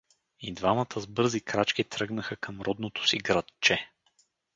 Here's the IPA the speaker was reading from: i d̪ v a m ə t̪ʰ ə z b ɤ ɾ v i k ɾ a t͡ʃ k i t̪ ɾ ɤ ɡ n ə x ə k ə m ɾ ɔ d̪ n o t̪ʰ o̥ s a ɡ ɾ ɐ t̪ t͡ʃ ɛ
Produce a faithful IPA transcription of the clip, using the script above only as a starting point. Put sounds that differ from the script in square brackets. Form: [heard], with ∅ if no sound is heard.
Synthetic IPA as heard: i d̪ v a m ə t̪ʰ ə z b ɤ ɾ [z] i k ɾ a t͡ʃ k i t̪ ɾ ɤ ɡ n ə x ə k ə m ɾ ɔ d̪ n o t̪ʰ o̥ s [i] ɡ ɾ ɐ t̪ t͡ʃ ɛ